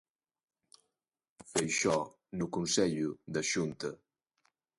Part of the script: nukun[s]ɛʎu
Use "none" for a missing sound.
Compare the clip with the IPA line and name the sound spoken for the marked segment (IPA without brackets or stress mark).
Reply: s